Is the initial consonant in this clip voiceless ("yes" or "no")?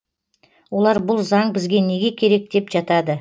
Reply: no